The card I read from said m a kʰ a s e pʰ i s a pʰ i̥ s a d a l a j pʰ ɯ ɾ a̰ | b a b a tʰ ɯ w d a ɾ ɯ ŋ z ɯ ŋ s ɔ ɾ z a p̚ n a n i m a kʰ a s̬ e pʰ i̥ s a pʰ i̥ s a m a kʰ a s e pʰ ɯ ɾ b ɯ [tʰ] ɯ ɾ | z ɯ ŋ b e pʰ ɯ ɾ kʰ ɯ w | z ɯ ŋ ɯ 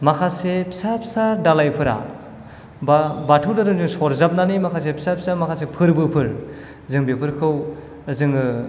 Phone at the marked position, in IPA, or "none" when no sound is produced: pʰ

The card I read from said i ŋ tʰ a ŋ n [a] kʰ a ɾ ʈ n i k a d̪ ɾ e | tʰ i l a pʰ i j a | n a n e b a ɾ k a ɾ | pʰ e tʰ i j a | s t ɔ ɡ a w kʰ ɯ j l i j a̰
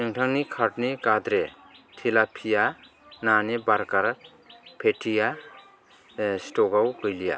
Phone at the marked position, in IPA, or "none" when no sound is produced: i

